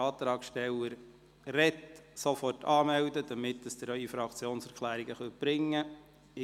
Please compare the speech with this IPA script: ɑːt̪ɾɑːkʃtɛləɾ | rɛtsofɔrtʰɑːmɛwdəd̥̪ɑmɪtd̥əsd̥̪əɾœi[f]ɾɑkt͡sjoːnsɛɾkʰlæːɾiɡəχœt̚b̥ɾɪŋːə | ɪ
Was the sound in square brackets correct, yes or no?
yes